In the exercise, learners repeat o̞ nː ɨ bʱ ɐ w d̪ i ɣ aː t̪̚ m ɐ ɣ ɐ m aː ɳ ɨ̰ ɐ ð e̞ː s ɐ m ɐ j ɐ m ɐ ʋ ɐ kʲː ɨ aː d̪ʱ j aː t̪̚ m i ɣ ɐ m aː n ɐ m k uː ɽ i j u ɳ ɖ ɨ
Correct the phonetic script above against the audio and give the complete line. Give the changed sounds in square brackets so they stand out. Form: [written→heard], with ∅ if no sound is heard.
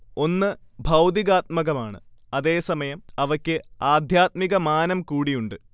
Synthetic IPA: o̞ nː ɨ bʱ ɐ w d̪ i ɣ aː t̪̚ m ɐ ɣ ɐ m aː ɳ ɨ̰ ɐ ð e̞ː s ɐ m ɐ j ɐ m ɐ ʋ ɐ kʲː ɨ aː d̪ʱ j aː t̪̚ m i ɣ ɐ m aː n ɐ m k uː ɽ i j u ɳ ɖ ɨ